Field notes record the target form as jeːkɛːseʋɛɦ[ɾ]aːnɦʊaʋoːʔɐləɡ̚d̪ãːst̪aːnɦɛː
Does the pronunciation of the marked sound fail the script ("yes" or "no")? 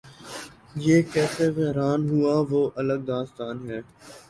no